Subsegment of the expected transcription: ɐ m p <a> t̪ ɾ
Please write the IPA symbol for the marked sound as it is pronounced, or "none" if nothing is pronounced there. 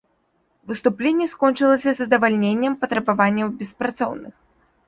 ɐ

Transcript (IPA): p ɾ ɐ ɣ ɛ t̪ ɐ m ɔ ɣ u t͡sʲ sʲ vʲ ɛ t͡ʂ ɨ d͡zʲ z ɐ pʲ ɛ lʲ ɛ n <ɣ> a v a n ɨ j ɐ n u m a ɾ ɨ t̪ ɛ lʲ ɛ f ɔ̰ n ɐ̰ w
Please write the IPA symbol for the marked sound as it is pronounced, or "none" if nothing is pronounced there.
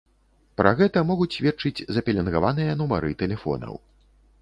ɣ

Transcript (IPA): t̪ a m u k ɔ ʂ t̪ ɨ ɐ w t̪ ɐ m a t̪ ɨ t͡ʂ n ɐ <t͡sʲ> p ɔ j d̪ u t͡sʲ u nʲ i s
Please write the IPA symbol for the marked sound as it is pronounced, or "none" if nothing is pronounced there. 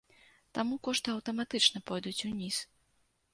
none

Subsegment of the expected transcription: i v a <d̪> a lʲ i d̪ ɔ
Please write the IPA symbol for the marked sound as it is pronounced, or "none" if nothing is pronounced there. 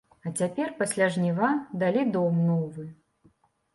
d̪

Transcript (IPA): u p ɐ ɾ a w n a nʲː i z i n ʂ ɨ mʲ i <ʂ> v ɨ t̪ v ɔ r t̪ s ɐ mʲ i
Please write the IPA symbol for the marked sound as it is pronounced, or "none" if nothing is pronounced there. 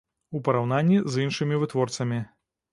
none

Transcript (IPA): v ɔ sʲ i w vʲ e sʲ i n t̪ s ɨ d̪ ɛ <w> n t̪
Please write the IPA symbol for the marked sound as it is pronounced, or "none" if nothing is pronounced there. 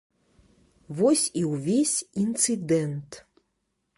none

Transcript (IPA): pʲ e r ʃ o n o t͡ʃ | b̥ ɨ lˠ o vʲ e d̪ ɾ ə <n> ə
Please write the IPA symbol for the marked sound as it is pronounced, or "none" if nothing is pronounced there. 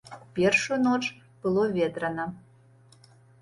n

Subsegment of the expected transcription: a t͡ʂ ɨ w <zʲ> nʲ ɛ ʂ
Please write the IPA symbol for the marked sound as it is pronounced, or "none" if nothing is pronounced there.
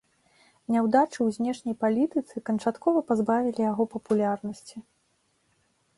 zʲ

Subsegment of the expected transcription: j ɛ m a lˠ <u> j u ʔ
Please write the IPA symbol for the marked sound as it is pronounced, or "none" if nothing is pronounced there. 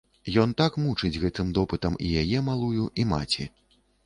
u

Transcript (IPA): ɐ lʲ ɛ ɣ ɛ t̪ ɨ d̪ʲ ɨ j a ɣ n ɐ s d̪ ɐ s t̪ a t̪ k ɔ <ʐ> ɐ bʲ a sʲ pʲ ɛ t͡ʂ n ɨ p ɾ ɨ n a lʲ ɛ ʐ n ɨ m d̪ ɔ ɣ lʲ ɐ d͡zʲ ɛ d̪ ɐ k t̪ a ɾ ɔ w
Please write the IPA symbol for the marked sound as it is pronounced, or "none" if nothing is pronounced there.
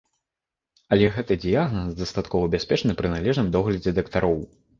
v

